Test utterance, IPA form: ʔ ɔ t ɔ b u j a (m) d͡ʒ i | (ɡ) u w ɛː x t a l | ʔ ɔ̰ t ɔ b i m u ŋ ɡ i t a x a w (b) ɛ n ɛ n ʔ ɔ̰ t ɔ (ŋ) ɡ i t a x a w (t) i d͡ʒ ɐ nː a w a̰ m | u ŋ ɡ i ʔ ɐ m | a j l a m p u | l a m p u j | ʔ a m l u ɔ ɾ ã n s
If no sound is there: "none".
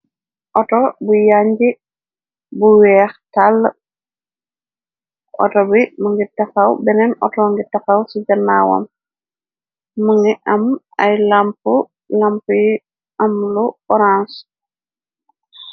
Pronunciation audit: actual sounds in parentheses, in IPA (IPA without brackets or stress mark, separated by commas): ɲ, b, b, ŋ, s